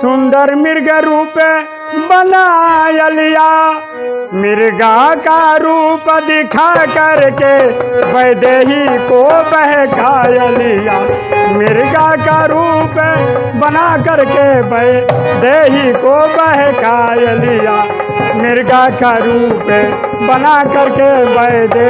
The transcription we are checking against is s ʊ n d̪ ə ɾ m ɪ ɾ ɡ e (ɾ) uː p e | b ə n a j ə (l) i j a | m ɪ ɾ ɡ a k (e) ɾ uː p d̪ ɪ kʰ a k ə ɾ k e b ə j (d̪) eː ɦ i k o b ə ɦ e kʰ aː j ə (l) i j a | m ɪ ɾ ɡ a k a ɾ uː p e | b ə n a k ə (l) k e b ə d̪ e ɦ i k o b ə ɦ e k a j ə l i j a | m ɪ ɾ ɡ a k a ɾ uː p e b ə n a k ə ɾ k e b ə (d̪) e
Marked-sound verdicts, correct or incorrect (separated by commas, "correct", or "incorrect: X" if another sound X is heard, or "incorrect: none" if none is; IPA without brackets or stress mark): correct, correct, incorrect: a, correct, correct, incorrect: ɾ, correct